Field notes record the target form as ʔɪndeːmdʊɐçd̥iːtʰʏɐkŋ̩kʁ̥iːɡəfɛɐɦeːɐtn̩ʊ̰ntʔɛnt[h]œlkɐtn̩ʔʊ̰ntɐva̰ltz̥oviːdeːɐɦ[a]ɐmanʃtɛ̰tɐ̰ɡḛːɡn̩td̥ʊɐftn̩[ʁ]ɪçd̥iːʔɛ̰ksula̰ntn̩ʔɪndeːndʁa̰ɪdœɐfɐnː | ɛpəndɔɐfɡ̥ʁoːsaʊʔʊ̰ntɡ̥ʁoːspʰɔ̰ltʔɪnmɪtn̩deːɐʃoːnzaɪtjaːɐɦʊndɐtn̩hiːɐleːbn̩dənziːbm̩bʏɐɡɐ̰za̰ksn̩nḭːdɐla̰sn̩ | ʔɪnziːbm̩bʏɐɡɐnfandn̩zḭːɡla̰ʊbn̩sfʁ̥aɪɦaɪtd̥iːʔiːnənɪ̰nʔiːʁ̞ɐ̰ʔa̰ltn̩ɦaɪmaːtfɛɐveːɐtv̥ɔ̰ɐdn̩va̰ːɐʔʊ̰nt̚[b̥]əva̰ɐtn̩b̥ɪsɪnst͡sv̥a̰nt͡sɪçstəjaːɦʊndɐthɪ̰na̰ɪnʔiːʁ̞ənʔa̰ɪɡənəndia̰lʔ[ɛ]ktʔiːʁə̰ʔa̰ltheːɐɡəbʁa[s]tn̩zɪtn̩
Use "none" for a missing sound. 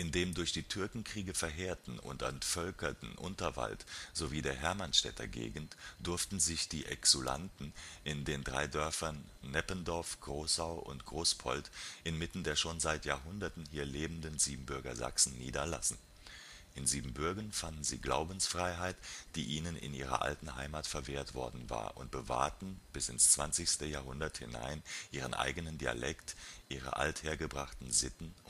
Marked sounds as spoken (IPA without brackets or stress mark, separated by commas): f, ɛ, z, b̥, ɛ, χ